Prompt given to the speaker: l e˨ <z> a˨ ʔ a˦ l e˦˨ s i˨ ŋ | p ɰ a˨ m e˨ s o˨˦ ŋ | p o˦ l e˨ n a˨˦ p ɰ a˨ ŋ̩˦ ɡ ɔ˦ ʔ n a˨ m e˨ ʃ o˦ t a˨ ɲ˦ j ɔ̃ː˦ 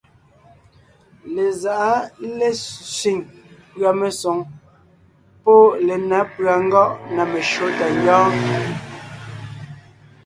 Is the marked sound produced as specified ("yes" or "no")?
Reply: yes